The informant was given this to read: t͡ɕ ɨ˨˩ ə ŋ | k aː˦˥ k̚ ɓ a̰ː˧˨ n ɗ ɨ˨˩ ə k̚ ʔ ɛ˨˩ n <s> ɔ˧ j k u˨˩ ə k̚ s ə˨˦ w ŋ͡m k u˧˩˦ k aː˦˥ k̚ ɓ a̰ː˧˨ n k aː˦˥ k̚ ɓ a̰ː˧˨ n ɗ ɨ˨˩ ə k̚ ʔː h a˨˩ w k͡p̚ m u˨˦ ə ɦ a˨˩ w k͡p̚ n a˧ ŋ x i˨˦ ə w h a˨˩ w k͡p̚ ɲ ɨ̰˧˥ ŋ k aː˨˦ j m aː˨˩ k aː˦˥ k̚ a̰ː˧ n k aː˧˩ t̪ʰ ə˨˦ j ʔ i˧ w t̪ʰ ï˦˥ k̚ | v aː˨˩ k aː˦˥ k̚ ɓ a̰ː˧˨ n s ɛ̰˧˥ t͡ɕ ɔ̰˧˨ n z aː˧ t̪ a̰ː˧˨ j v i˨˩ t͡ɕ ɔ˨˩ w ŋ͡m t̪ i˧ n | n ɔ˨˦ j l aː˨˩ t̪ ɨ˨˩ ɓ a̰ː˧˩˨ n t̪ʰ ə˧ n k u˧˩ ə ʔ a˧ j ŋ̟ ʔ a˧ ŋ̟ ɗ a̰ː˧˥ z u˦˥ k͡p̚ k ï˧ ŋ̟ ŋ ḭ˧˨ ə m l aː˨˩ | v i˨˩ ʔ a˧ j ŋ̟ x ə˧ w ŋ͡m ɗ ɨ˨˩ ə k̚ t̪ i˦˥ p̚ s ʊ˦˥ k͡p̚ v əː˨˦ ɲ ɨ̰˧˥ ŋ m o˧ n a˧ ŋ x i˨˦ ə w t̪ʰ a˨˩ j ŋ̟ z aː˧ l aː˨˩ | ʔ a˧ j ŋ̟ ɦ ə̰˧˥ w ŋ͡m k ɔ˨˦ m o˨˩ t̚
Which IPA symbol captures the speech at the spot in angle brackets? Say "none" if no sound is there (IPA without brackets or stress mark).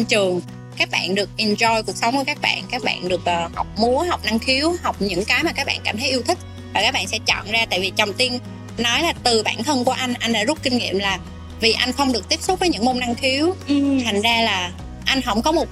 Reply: z